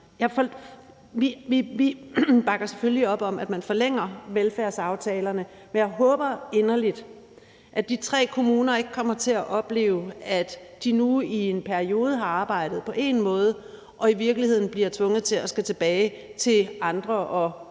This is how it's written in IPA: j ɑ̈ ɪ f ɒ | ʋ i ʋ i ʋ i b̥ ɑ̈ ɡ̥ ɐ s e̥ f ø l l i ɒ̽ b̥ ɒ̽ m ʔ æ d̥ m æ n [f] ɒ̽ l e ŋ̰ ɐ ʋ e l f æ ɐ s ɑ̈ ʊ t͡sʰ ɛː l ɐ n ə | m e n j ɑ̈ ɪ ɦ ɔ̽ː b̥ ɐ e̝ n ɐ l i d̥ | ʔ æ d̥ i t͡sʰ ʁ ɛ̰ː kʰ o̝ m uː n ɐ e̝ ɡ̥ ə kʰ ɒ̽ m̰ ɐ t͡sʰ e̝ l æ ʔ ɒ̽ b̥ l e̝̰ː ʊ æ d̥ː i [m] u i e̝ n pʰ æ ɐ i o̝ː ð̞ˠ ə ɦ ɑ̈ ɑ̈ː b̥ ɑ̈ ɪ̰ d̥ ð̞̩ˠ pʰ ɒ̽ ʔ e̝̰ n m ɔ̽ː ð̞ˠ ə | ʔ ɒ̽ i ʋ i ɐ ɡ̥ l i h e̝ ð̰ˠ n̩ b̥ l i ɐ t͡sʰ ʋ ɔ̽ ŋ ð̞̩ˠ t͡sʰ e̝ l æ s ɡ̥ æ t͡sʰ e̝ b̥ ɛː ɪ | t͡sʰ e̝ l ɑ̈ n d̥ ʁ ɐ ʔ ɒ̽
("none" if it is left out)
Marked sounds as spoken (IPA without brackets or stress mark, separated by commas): f, n